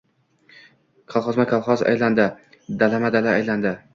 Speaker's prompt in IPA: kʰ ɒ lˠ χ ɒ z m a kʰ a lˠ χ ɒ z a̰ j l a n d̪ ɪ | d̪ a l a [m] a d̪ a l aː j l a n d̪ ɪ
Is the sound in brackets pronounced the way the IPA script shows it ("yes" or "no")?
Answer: yes